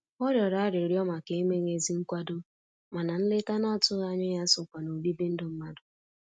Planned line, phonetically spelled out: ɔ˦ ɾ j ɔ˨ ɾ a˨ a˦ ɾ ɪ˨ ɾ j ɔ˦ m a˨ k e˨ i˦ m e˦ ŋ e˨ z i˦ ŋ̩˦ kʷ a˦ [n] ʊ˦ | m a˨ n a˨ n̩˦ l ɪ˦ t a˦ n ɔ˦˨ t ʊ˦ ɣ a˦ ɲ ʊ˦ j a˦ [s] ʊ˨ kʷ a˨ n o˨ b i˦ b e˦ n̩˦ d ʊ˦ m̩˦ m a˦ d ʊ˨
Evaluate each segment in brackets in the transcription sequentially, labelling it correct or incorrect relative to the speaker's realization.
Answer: incorrect: d, correct

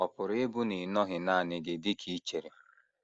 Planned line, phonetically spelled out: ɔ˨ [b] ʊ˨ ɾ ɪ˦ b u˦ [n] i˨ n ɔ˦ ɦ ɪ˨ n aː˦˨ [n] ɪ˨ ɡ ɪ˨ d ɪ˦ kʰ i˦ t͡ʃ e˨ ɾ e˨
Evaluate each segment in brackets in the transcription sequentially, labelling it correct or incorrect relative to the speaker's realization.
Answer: incorrect: p, correct, correct

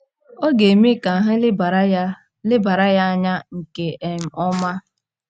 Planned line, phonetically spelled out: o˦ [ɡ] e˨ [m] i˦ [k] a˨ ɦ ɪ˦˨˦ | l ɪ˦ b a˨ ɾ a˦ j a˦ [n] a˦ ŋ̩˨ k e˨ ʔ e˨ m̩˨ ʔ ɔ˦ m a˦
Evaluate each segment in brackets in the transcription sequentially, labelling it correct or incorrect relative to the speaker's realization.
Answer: correct, correct, correct, incorrect: ɲ

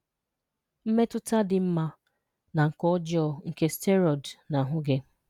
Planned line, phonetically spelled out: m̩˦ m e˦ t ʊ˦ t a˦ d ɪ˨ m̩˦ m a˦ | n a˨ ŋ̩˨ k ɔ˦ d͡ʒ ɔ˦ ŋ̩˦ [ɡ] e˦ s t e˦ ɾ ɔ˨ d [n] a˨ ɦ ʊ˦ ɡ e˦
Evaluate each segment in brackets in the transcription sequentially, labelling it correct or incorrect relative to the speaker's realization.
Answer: incorrect: k, correct

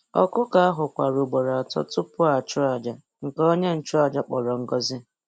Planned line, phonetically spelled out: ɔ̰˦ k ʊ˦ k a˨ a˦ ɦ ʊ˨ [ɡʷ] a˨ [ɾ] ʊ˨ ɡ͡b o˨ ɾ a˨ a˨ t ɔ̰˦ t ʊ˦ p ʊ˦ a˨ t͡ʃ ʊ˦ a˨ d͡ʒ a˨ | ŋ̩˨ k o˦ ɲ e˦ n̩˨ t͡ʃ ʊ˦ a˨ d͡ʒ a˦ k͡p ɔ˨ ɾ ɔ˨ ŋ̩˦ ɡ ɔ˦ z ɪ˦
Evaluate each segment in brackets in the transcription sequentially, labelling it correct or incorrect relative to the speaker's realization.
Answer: incorrect: kʷ, correct

